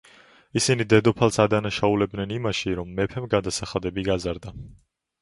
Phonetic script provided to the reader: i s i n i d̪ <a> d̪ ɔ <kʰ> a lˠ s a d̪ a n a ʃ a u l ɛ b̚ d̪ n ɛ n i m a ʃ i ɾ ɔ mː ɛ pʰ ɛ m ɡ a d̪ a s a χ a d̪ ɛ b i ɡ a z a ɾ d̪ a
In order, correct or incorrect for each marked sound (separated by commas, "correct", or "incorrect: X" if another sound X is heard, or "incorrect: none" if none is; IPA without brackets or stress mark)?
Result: incorrect: ɛ, incorrect: pʰ